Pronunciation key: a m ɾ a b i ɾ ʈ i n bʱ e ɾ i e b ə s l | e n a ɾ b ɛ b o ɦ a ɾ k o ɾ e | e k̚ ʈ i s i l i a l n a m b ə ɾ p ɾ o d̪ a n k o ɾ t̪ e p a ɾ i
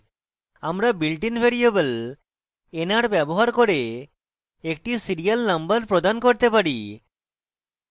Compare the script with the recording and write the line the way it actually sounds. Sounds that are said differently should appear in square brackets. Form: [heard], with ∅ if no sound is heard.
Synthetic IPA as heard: a m ɾ a b i [l] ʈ i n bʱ e ɾ i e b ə [∅] l | e n a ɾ b ɛ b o ɦ a ɾ k o ɾ e | e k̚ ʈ i s i [ɾ] i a l n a m b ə ɾ p ɾ o d̪ a n k o ɾ t̪ e p a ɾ i